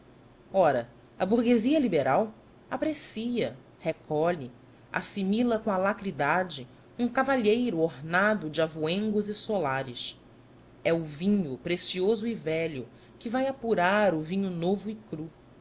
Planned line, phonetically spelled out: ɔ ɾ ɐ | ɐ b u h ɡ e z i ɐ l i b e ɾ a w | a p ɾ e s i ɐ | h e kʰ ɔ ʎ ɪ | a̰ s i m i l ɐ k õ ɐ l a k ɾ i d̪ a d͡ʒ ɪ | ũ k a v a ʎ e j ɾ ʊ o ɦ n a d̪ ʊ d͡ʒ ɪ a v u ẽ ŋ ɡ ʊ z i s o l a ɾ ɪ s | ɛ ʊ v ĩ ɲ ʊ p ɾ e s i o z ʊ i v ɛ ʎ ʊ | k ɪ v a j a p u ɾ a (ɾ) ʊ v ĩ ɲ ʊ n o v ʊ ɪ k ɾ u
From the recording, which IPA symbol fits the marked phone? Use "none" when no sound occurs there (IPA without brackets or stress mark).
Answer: ɾ